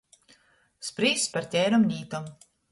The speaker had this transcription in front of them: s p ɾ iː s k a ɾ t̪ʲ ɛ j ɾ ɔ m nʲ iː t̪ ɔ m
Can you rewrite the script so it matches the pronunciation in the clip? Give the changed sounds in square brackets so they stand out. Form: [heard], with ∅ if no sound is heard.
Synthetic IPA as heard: s p ɾ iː s [p] a ɾ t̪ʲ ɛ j ɾ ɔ m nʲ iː t̪ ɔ m